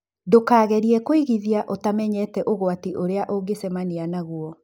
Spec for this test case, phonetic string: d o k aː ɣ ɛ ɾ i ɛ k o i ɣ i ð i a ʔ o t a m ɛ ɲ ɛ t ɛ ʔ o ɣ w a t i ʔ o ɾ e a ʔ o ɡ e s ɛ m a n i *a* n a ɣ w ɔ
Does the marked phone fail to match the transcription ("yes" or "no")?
no